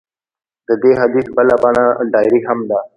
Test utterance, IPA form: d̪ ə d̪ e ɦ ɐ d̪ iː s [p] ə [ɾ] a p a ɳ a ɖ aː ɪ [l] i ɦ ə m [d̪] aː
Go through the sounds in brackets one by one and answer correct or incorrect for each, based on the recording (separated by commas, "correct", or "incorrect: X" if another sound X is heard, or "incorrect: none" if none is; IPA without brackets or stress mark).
incorrect: b, incorrect: l, incorrect: ɾ, correct